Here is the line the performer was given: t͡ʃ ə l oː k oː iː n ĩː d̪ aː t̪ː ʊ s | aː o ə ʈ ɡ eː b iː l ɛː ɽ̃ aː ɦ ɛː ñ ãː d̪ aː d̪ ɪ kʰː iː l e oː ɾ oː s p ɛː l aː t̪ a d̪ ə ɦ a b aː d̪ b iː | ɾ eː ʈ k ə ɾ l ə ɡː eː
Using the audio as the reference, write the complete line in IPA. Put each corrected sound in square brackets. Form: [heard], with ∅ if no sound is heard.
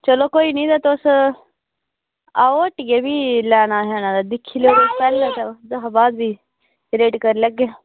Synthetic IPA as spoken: t͡ʃ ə l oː k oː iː n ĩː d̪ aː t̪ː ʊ s | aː o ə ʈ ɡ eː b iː l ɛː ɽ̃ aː ɦ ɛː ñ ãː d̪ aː d̪ ɪ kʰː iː l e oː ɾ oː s p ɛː l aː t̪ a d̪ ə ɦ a b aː d̪ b iː | ɾ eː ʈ k ə ɾ l ə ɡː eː